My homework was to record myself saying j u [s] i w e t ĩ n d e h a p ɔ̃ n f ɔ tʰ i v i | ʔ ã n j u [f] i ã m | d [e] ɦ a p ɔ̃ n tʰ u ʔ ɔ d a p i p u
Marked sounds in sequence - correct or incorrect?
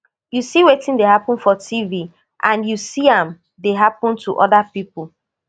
correct, incorrect: s, correct

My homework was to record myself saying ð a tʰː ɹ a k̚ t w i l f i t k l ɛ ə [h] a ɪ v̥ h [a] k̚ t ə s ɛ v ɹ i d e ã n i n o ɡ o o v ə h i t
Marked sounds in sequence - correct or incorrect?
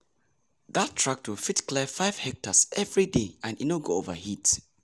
incorrect: f, incorrect: ɛ

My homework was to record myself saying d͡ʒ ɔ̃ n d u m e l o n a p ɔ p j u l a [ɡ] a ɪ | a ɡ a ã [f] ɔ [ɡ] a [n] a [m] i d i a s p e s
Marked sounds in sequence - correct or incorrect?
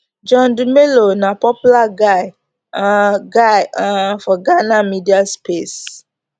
correct, correct, correct, correct, correct

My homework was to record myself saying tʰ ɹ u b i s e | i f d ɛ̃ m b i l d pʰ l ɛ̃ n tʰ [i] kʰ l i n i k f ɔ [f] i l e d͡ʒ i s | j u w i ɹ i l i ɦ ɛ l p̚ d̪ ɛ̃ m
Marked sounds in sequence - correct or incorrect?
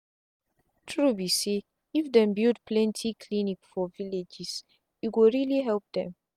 correct, incorrect: v

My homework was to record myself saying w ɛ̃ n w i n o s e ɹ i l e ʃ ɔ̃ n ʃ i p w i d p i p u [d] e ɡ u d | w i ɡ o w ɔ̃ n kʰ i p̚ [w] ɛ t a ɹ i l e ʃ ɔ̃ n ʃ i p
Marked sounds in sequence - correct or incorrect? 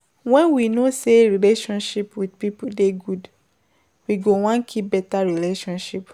correct, incorrect: b

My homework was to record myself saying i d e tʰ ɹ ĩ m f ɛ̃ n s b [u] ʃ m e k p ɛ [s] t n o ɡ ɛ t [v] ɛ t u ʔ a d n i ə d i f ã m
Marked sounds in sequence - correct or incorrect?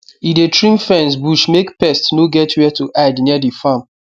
correct, correct, incorrect: w

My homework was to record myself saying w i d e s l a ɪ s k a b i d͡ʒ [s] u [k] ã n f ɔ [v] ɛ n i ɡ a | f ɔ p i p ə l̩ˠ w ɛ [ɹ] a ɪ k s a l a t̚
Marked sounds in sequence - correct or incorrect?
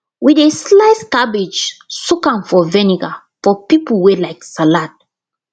correct, correct, correct, incorrect: l

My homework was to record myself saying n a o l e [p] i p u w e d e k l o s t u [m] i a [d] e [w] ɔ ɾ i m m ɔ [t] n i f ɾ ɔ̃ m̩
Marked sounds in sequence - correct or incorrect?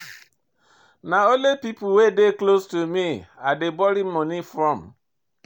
correct, correct, correct, incorrect: b, incorrect: none

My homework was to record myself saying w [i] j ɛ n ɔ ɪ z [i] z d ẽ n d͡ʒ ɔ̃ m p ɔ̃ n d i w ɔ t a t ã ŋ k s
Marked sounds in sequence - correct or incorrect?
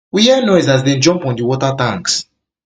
correct, incorrect: a

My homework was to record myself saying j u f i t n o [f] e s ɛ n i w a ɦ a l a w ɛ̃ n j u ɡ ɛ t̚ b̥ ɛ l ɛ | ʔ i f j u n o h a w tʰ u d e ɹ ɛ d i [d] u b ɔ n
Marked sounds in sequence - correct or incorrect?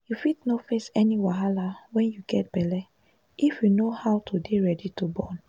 correct, incorrect: t

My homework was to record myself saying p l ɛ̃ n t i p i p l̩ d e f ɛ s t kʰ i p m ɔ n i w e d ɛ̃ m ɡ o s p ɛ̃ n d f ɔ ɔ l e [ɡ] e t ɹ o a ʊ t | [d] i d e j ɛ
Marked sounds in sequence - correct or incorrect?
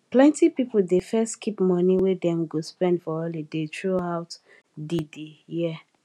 incorrect: d, correct

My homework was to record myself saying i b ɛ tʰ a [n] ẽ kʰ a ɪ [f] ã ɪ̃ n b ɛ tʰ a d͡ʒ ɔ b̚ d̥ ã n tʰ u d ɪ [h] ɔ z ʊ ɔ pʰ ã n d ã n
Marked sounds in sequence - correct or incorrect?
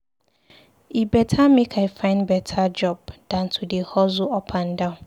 incorrect: m, correct, correct

